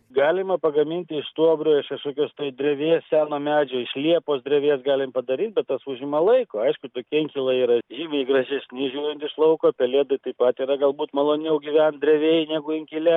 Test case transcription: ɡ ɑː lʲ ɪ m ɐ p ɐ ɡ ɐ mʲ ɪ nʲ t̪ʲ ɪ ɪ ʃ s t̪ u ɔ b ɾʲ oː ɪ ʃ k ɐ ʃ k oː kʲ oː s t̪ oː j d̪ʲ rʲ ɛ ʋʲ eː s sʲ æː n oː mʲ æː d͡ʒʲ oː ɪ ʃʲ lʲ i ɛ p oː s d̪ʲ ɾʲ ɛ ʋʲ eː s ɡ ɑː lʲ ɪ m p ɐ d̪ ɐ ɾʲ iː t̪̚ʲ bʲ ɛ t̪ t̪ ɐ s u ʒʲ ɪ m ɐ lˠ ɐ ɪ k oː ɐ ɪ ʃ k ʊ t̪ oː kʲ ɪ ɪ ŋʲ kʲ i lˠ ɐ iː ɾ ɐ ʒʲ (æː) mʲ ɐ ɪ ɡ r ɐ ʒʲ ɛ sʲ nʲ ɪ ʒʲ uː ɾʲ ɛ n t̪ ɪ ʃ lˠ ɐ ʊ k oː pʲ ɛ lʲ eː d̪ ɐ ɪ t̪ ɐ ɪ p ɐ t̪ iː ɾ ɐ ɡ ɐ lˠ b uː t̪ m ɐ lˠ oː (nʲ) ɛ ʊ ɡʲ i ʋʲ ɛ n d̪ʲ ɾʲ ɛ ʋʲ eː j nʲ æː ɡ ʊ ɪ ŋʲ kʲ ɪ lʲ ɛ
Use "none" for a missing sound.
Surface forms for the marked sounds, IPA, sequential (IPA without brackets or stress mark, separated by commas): iː, nʲ